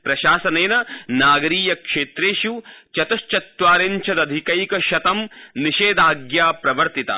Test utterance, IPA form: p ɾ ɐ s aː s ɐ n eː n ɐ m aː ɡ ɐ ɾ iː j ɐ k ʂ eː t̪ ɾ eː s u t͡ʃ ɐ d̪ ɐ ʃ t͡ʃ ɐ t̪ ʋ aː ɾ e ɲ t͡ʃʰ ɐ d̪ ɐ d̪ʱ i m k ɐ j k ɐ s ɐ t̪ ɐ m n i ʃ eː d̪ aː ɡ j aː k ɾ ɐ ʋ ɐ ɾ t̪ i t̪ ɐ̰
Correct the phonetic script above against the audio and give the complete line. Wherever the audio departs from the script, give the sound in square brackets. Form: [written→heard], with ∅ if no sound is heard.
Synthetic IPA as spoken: p ɾ ɐ [s→ʃ] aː s ɐ n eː n ɐ [m→n] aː ɡ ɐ ɾ iː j ɐ k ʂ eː t̪ ɾ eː [s→ʃ] u t͡ʃ ɐ [d̪→t̪] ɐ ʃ t͡ʃ ɐ t̪ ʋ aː ɾ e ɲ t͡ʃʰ ɐ d̪ ɐ d̪ʱ i [m→∅] k ɐ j k ɐ [s→ʃ] ɐ t̪ ɐ m n i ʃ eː d̪ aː ɡ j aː [k→p] ɾ ɐ ʋ ɐ ɾ t̪ i t̪ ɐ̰